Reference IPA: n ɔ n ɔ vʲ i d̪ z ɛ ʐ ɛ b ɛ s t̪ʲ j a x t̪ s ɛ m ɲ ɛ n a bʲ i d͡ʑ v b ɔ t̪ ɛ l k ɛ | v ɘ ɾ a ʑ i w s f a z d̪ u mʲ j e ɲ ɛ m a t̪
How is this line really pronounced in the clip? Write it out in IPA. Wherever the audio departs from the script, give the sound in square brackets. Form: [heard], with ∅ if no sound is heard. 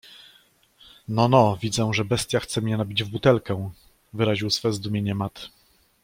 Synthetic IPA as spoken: n ɔ n ɔ vʲ i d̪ z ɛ ʐ ɛ b ɛ s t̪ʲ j a x t̪ s ɛ m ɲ ɛ n a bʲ i d͡ʑ v b [u] t̪ ɛ l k ɛ | v ɘ ɾ a ʑ i w s f [ɛ] z d̪ u mʲ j e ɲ ɛ m a t̪